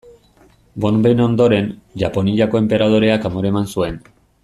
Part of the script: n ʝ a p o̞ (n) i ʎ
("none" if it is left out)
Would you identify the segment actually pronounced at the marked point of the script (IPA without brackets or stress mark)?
n